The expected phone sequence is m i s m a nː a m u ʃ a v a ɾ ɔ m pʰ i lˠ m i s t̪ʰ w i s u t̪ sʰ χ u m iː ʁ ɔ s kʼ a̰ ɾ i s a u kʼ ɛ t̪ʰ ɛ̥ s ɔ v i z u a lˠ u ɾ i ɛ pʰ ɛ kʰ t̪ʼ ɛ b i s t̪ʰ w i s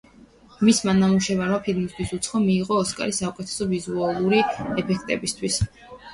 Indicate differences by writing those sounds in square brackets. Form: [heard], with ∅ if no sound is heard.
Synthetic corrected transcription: m i s m a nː a m u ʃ [ɛ] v a ɾ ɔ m pʰ i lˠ m i s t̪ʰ w i s u t̪ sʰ χ [ɔ] m iː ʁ [ɔː] s kʼ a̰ ɾ i s a u kʼ ɛ t̪ʰ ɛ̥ s ɔ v i z u a lˠ u ɾ i ɛ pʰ ɛ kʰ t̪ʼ ɛ b i s t̪ʰ w i s